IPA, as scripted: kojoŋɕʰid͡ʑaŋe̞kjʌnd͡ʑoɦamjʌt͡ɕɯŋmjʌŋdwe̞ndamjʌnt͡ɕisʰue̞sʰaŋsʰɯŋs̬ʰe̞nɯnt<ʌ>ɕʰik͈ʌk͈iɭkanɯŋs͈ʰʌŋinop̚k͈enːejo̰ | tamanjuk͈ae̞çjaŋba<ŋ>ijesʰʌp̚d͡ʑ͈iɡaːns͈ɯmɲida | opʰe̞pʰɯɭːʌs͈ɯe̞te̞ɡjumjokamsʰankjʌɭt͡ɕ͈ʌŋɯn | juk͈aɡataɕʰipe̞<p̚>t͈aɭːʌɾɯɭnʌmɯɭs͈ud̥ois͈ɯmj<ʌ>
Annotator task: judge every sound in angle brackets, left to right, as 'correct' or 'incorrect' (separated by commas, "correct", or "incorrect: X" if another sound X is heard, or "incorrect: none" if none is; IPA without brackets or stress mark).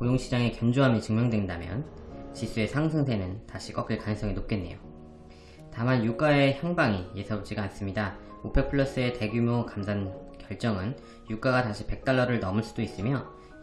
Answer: incorrect: a, correct, incorrect: k̚, correct